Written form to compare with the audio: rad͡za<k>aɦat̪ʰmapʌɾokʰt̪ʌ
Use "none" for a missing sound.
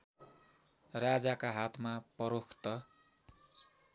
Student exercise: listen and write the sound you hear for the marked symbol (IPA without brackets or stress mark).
k